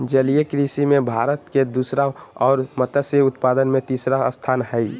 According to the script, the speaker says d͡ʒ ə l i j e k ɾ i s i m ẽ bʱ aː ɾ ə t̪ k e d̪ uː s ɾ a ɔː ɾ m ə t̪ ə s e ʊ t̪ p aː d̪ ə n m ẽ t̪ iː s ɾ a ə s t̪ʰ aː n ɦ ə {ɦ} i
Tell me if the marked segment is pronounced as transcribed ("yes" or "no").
no